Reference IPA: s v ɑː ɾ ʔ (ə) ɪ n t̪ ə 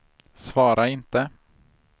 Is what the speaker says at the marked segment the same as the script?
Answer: no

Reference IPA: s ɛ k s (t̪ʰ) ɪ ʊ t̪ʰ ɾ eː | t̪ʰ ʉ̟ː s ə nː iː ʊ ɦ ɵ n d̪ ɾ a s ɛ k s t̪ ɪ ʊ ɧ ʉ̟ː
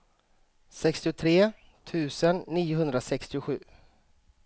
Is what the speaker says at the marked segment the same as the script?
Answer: no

